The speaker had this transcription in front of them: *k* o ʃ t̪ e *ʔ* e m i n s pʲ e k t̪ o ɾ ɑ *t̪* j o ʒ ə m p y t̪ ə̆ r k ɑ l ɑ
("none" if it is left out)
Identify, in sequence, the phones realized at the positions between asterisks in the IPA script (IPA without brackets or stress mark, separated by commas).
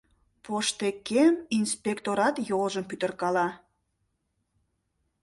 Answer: p, k, t̪